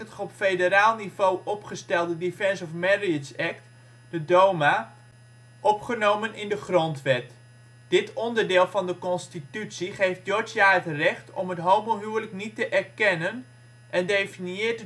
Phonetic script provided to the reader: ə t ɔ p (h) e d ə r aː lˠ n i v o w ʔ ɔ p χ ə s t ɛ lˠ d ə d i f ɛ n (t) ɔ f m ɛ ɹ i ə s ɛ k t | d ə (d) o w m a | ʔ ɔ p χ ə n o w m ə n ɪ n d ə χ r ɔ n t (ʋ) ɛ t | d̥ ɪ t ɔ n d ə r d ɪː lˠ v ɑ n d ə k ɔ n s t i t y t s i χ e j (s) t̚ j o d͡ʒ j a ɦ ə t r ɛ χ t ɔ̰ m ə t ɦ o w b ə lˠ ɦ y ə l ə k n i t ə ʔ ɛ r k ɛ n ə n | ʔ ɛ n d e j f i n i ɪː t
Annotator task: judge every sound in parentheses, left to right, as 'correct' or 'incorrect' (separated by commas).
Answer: incorrect, incorrect, correct, correct, incorrect